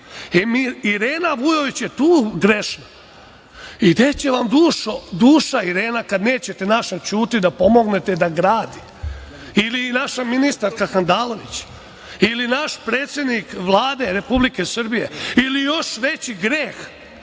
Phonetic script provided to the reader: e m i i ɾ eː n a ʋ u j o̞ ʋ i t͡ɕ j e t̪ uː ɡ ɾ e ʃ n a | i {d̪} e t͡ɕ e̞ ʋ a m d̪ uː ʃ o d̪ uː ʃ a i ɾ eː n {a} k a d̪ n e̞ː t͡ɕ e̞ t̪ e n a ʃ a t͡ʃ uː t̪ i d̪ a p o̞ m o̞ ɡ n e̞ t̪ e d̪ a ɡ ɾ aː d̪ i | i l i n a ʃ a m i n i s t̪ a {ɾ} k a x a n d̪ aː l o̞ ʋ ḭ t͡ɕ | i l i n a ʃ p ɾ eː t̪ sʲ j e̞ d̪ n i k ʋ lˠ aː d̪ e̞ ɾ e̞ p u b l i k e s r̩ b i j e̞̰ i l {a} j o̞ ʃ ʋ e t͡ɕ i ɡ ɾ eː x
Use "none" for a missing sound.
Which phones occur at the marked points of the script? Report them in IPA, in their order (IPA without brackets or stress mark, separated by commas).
d̪, a, ɾ, i